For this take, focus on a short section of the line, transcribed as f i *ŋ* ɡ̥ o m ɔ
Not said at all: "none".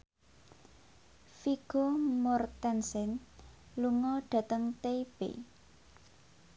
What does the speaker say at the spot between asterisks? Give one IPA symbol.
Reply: none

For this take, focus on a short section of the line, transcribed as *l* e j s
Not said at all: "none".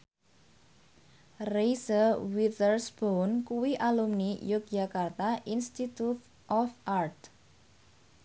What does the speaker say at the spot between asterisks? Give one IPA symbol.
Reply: r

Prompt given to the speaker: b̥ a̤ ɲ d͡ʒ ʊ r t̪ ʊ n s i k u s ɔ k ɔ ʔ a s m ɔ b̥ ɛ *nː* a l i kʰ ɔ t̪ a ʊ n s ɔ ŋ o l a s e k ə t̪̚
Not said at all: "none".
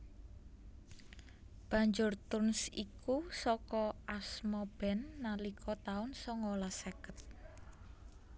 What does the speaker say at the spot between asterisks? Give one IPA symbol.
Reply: nː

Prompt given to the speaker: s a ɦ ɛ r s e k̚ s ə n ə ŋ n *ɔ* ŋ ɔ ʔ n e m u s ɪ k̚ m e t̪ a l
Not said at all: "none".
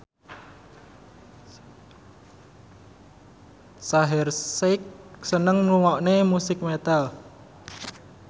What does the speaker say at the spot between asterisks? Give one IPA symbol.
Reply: u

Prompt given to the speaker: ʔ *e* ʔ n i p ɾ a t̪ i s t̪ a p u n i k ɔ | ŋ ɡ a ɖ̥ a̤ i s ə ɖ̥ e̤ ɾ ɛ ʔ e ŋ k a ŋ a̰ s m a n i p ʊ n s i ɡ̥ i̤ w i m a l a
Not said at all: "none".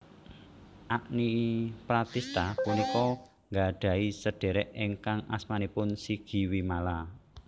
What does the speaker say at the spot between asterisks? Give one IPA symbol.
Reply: a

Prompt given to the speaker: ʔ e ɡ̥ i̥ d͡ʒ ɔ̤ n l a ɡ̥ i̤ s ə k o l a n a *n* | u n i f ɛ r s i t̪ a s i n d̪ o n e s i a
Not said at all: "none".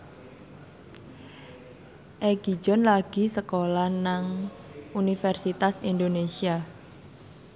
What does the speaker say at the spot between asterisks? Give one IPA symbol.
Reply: ŋ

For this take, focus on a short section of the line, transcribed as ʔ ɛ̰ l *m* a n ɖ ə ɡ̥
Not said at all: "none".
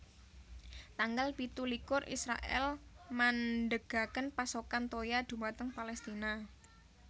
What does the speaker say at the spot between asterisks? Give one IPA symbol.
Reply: m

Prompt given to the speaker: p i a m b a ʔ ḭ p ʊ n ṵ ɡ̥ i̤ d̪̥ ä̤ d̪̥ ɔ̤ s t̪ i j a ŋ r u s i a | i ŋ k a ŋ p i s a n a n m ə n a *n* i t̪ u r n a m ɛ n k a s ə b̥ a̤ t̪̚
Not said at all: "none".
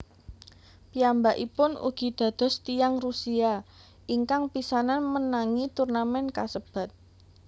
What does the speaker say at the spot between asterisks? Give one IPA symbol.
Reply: ŋ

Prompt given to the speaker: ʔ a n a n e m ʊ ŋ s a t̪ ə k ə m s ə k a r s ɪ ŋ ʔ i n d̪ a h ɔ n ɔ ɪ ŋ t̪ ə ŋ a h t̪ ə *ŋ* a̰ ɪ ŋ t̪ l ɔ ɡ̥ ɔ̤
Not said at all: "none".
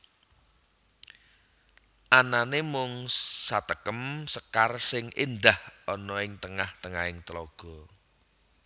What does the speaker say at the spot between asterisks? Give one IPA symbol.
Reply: ŋ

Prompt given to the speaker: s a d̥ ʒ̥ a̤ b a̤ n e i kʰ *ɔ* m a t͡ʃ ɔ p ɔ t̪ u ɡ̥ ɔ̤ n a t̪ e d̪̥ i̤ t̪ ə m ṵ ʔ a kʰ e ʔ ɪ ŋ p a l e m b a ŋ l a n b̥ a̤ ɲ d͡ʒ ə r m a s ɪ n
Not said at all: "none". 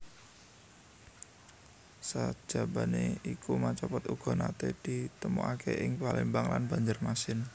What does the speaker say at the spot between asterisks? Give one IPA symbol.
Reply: u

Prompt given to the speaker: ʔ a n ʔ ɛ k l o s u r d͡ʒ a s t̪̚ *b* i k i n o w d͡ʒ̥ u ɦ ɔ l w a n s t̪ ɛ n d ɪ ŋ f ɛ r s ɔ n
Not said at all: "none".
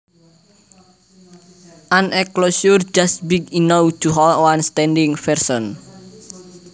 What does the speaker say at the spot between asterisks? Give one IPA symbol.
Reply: b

